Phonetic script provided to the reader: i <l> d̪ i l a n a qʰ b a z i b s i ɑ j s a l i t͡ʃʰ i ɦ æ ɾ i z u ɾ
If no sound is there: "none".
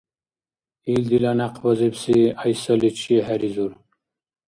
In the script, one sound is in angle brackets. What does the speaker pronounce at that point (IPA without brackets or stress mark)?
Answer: l